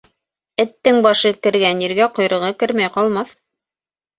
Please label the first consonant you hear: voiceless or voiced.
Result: voiceless